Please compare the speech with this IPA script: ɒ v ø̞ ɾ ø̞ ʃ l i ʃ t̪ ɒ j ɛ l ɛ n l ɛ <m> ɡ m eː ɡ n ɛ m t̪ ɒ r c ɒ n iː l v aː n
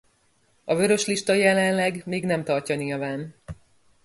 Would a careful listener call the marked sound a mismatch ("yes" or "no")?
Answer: yes